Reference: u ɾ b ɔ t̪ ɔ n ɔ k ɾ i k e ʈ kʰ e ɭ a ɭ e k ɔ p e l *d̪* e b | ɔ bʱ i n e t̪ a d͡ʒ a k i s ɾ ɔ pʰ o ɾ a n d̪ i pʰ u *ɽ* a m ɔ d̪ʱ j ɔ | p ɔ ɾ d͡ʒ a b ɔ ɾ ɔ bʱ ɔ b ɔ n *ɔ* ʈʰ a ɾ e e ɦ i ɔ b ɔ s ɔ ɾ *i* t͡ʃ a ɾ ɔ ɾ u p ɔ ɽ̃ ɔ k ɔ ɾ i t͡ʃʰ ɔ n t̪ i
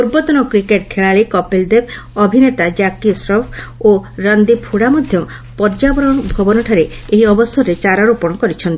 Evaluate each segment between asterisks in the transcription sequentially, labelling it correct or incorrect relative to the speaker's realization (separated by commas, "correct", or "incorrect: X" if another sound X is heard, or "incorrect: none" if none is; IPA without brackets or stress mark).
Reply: correct, correct, correct, incorrect: e